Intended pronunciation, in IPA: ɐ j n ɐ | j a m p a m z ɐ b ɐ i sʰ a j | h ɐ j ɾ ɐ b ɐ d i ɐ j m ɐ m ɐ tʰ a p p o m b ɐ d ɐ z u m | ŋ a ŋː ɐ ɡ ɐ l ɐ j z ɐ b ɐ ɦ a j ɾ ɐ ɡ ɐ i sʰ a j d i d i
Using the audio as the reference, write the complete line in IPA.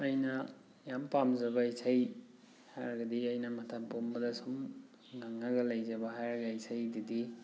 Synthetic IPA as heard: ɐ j n ɐ | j a m p a m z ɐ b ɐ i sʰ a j | h a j ɾ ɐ ɡ ɐ d i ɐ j n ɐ m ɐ tʰ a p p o m b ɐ d ɐ s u m | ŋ a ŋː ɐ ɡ ɐ l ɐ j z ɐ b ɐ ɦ a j ɾ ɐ ɡ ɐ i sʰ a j d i d i

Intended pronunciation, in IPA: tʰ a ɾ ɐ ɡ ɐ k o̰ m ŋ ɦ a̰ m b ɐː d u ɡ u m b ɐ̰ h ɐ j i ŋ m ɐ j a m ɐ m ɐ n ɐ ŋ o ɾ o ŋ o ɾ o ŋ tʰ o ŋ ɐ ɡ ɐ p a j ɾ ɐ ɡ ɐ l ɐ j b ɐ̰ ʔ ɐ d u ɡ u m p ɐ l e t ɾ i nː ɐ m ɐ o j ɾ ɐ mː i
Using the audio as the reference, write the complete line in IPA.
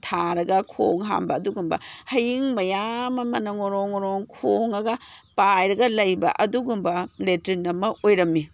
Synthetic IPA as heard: tʰ a ɾ ɐ ɡ ɐ kʰ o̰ ŋ ɦ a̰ m b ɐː d u ɡ u m b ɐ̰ h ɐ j i ŋ m ɐ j a m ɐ m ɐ n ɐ ŋ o ɾ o ŋ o ɾ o ŋ kʰ o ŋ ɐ ɡ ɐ p a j ɾ ɐ ɡ ɐ l ɐ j b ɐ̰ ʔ ɐ d u ɡ u m b ɐ l e t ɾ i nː ɐ m ɐ o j ɾ ɐ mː i

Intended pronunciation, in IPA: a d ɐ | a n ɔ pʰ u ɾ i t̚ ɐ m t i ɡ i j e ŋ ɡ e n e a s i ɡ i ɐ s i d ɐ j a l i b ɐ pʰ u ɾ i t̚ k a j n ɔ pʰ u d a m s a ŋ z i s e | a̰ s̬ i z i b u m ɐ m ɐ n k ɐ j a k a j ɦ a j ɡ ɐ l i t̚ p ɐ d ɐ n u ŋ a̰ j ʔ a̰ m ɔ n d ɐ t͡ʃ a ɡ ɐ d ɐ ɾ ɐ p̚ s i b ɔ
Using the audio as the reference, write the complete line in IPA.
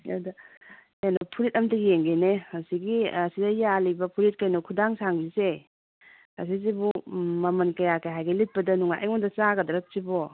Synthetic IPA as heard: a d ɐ | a n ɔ pʰ u ɾ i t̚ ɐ m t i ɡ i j e ŋ ɡ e n e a s i ɡ i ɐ s i d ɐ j a l i b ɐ pʰ u ɾ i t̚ k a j n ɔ kʰ u d a ŋ s a ŋ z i s e | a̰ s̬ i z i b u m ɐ m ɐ n k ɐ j a k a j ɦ a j ɡ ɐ l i t̚ p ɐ d ɐ n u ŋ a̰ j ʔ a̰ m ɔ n d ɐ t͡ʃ a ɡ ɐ d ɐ ɾ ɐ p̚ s i b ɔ

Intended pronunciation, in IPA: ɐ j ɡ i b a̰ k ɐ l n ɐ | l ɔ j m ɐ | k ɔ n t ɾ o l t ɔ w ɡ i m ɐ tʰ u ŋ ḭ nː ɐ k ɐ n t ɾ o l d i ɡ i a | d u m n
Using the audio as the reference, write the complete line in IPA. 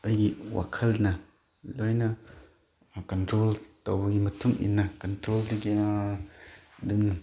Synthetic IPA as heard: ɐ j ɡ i w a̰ kʰ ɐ l n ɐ | l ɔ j n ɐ | k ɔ n t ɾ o l t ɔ w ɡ i m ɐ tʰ u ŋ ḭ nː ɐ k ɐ n t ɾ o l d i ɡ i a | d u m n

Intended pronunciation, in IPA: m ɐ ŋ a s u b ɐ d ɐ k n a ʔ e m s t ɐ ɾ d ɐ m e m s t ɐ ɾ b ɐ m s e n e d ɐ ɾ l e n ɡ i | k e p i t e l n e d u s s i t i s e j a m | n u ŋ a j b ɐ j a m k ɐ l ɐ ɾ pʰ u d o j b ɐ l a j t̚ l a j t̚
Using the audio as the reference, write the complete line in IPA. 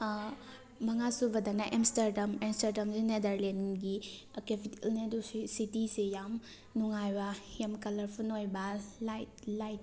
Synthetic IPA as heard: m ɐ ŋ a s u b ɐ d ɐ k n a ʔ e m s t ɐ ɾ d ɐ m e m s t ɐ ɾ d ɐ m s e n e d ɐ ɾ l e n ɡ i | k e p i t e l n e d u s s i t i s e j a m | n u ŋ a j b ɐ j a m k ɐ l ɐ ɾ pʰ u n o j b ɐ l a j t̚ l a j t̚

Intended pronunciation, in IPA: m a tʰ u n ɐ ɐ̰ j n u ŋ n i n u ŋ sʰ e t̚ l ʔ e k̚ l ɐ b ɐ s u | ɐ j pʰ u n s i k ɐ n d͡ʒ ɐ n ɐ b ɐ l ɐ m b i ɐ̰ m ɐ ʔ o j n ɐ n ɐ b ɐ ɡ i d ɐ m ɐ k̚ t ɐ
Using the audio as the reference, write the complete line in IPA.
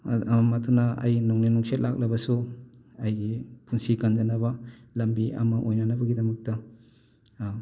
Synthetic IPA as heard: m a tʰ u n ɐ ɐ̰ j n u ŋ n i n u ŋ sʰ e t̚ l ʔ a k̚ l ɐ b ɐ s u | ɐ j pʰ u n s i k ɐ n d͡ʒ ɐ n ɐ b ɐ l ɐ m b i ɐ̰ m ɐ ʔ o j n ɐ n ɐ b ɐ ɡ i d ɐ m ɐ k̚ t ɐ

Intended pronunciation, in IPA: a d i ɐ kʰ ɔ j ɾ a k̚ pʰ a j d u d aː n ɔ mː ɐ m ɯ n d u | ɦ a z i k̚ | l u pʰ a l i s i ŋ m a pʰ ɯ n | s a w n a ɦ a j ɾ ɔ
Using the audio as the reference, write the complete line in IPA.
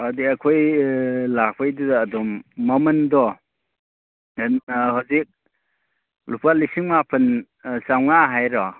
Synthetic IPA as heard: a d i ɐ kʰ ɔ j l a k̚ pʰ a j d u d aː d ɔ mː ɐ m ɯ n d ɔ | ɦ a z i k̚ | l u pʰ a l i s i ŋ m a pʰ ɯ n | s a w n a ɦ a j ɾ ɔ

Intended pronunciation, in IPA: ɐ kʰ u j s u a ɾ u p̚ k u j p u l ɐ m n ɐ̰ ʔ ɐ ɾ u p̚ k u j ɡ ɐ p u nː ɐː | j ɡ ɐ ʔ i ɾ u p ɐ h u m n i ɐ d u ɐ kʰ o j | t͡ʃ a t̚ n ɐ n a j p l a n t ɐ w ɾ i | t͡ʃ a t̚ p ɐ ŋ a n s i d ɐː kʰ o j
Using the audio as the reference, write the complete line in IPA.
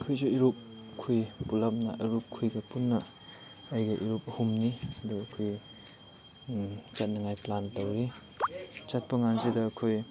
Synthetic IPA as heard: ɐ kʰ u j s u i ɾ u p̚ kʰ u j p u l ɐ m n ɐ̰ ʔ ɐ ɾ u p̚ kʰ u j ɡ ɐ p u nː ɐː | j ɡ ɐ ʔ i ɾ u p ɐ h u m n i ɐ d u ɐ kʰ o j | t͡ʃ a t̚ n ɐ ŋ a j p l a n t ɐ w ɾ i | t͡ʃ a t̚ p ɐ ŋ a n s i d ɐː kʰ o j

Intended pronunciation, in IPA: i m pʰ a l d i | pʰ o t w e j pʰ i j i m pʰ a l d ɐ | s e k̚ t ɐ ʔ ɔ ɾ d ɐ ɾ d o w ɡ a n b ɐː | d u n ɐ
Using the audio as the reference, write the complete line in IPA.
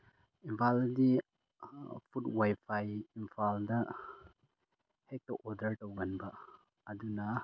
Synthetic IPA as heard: i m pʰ a l d i | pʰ u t w a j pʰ a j i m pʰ a l d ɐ | h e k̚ t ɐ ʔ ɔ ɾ d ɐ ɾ t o w ɡ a n b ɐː | d u n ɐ

